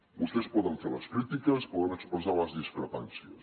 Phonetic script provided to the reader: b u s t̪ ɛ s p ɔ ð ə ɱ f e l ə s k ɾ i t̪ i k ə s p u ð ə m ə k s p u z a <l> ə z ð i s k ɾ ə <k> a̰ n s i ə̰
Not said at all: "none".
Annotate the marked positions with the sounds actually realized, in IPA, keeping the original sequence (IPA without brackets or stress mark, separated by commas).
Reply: l, p